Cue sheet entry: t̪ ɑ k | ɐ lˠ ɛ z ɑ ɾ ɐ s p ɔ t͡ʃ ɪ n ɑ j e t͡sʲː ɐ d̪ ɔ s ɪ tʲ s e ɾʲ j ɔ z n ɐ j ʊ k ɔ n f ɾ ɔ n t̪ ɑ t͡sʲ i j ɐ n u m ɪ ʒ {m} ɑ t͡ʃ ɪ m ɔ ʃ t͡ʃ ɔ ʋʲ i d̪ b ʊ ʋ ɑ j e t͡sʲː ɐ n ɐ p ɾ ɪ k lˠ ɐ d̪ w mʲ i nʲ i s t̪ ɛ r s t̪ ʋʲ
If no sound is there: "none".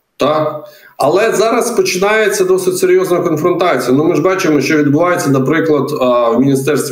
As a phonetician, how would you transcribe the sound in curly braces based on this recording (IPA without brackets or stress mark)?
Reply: b